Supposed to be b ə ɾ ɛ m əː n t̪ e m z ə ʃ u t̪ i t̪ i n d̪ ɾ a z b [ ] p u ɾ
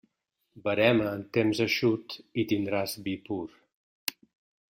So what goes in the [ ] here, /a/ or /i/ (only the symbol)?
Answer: i